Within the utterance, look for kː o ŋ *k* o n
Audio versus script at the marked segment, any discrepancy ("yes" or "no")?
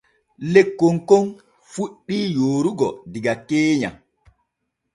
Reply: no